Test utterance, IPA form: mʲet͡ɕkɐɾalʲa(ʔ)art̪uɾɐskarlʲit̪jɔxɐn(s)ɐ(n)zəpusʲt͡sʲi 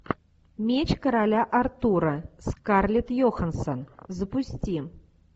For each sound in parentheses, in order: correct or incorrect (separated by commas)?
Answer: correct, correct, correct